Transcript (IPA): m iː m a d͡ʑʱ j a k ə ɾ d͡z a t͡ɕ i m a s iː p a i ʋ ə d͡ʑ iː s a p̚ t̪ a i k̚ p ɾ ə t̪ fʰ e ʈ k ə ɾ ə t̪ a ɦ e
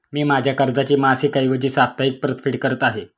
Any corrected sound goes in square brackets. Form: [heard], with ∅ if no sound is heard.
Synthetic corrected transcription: m iː m a d͡ʑʱ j a k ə ɾ d͡z a t͡ɕ [iː] m a s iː [k] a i ʋ ə d͡ʑ iː s a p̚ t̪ a i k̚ p ɾ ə t̪ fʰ [i] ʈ k ə ɾ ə t̪ a ɦ e